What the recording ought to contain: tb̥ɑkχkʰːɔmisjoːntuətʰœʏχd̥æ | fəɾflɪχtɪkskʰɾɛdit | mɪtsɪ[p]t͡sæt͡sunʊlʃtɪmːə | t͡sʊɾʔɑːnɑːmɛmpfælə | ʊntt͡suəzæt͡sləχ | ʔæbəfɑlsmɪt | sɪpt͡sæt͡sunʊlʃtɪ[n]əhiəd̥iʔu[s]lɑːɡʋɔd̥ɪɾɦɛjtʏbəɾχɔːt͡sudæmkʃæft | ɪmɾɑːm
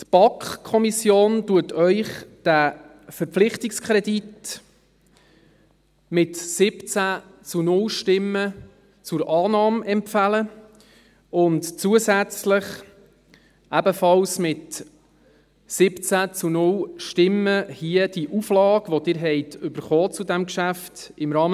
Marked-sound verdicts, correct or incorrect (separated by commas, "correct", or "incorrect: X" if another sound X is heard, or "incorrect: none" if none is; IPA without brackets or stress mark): correct, incorrect: m, incorrect: f